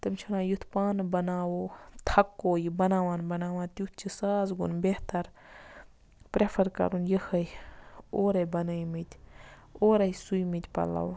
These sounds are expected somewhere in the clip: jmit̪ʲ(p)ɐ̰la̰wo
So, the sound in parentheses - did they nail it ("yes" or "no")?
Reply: yes